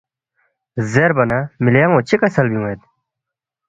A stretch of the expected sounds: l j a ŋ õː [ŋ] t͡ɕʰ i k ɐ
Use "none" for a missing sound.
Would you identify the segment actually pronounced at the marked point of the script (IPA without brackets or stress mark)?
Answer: none